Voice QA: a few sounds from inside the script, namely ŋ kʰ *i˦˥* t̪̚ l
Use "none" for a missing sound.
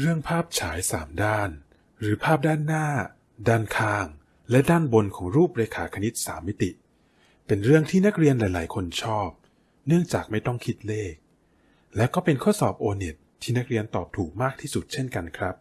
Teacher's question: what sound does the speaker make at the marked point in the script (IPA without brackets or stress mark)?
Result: i˦˥